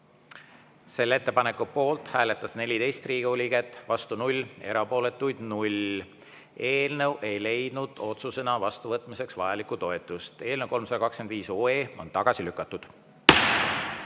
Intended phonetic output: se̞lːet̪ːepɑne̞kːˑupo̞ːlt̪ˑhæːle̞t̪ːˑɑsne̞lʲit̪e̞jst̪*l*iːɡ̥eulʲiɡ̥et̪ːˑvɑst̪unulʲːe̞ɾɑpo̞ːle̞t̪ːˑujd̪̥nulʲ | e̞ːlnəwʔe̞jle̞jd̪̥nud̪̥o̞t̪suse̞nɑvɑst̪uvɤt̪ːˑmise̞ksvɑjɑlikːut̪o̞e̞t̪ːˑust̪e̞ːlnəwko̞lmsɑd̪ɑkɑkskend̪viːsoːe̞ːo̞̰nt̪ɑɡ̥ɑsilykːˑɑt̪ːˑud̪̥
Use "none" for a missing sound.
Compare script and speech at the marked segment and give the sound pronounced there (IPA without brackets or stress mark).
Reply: r